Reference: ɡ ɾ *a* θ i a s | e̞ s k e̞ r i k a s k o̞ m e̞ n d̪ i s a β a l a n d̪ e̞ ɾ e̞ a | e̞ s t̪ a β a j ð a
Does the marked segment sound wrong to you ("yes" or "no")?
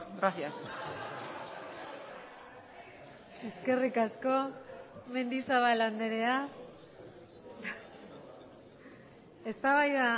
no